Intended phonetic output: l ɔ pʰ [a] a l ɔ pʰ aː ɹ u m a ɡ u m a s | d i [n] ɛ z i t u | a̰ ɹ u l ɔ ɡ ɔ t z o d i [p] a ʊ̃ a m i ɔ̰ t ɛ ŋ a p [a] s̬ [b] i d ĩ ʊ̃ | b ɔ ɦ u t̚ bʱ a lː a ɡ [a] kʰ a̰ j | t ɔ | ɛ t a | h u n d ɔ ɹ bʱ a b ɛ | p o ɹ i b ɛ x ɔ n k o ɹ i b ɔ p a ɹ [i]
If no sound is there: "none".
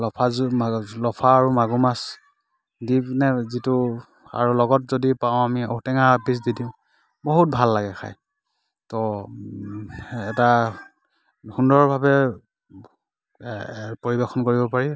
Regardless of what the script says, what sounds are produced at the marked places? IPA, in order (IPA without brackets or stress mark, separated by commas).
a, n, p, i, d, ɛ, i